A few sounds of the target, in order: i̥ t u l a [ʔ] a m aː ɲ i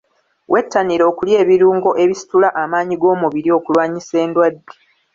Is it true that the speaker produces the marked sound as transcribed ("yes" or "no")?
yes